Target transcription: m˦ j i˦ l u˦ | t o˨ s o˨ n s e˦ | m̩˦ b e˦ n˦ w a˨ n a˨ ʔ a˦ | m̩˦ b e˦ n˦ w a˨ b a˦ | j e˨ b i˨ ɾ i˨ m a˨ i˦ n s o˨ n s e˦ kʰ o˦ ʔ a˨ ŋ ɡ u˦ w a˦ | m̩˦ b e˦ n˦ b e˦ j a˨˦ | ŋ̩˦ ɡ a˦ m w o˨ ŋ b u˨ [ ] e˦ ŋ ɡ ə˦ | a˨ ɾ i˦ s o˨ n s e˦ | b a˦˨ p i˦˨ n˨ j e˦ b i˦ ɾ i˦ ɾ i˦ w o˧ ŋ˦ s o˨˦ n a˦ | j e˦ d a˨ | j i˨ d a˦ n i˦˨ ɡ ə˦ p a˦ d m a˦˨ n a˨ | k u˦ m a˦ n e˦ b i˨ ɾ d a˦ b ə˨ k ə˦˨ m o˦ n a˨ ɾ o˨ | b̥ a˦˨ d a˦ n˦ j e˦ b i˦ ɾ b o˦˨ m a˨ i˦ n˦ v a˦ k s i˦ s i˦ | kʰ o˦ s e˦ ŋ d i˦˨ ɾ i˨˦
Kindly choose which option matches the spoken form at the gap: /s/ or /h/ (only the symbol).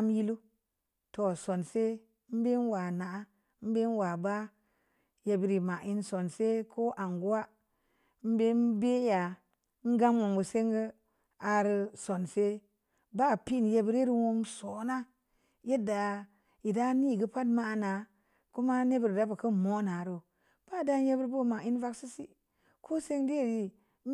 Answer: s